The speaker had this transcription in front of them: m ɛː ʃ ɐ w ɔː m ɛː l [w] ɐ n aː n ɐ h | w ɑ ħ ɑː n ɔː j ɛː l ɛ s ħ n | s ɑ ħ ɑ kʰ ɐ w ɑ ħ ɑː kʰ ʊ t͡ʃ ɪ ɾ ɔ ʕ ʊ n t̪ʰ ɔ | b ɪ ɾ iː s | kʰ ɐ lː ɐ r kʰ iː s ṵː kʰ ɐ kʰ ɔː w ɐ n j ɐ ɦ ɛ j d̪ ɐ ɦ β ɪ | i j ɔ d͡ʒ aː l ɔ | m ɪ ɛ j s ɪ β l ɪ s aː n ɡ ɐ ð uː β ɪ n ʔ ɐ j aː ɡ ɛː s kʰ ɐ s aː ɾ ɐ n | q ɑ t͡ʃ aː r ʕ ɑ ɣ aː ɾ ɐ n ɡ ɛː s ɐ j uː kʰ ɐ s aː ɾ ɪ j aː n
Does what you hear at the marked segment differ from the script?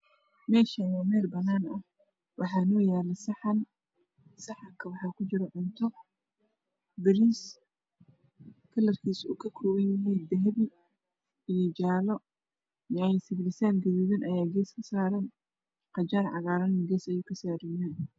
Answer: yes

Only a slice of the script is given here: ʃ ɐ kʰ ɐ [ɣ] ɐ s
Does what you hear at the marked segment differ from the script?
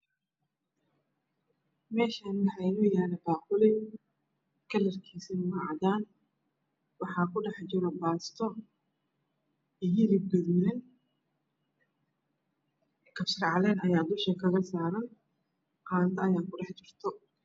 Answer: no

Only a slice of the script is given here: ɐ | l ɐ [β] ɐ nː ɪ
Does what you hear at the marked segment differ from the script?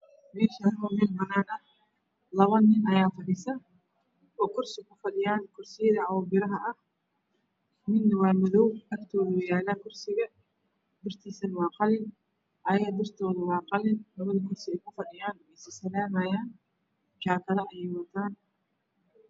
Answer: no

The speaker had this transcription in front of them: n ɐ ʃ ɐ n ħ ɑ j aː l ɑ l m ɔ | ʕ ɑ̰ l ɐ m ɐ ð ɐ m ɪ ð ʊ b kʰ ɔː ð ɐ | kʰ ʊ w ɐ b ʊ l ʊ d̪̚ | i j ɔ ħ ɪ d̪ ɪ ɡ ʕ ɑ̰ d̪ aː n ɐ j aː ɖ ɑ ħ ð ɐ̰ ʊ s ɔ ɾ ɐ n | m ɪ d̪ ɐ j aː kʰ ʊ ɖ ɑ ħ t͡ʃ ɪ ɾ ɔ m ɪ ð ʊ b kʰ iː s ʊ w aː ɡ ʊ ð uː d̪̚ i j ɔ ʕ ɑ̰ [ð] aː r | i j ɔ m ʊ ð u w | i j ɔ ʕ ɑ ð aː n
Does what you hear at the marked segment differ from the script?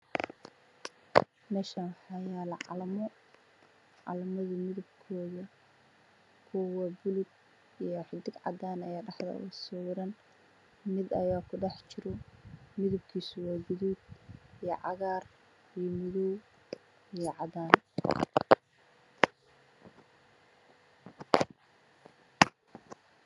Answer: yes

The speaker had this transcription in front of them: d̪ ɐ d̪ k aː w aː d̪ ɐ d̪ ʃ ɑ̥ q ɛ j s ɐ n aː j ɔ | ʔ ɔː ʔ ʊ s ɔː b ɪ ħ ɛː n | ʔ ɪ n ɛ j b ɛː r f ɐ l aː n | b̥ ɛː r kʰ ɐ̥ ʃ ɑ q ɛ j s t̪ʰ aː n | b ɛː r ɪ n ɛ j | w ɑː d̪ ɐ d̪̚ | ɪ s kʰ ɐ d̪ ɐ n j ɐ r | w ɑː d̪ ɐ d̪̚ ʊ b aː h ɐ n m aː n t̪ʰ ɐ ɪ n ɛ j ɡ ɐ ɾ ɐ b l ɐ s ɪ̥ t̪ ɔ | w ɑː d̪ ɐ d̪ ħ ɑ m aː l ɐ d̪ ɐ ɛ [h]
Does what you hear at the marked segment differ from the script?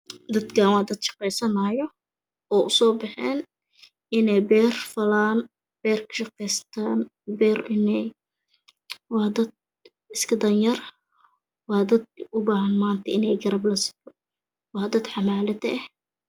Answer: no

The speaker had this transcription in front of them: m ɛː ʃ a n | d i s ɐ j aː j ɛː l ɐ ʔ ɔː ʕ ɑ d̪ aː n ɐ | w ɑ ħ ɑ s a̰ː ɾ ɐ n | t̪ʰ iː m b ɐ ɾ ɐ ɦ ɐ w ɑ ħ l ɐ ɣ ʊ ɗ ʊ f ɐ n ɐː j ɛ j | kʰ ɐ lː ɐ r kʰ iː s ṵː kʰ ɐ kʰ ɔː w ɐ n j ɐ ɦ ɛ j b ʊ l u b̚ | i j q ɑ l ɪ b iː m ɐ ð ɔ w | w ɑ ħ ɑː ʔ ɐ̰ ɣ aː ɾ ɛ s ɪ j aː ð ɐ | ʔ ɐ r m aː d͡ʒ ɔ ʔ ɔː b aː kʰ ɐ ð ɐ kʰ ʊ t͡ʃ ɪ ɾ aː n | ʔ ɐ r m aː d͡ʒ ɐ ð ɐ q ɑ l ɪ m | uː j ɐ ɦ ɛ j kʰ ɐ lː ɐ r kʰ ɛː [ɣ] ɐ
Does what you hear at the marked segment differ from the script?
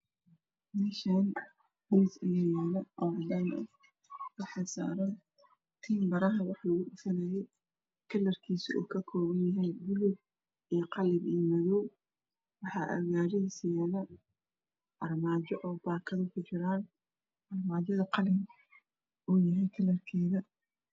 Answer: yes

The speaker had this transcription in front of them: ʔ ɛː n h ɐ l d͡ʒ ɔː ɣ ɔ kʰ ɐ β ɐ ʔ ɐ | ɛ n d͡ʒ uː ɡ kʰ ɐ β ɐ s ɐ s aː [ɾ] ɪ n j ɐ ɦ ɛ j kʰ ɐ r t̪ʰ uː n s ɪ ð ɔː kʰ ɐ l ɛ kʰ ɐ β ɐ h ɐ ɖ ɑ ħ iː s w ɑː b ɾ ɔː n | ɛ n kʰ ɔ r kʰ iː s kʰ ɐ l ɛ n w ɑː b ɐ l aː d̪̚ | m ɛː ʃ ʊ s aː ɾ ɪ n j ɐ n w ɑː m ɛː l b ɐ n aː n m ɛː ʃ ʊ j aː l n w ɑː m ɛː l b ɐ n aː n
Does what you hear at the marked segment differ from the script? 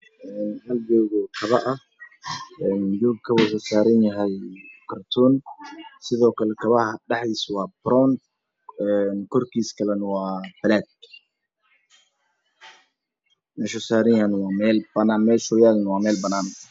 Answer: no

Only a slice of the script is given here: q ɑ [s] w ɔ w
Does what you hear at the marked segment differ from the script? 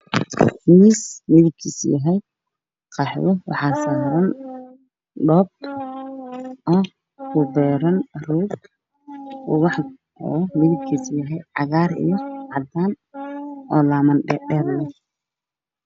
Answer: yes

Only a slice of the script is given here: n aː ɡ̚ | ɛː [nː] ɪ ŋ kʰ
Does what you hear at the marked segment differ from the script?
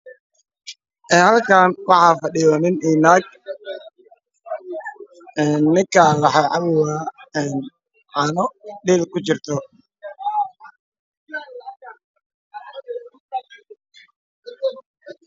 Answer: no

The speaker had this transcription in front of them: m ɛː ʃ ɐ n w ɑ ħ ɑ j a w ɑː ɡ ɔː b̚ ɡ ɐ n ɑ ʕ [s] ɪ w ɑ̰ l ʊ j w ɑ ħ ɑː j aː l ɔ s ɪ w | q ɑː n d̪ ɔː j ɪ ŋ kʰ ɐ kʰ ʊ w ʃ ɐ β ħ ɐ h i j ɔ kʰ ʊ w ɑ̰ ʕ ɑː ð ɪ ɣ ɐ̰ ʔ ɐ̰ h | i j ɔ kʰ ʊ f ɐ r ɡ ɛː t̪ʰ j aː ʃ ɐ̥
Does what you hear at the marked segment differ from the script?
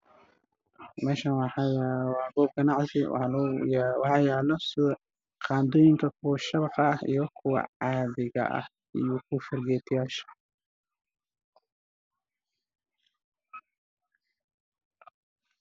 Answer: no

